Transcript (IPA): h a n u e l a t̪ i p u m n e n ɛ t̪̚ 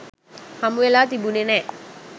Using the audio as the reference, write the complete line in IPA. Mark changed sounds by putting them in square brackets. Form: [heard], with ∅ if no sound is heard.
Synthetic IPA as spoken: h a [m] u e l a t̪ i [b] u [∅] n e n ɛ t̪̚